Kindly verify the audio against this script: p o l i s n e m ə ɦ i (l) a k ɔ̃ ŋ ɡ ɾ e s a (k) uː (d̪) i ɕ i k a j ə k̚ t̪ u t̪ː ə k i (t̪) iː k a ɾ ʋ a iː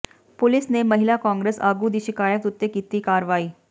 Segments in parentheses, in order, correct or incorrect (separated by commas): correct, incorrect, correct, correct